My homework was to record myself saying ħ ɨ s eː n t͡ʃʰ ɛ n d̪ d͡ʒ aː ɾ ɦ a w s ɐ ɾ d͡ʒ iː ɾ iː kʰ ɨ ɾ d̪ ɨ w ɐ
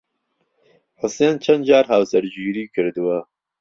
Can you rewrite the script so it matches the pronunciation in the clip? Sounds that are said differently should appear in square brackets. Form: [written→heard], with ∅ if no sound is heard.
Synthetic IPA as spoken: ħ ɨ s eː n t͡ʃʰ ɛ n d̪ d͡ʒ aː ɾ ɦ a w s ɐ ɾ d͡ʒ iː ɾ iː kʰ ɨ ɾ d̪ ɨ w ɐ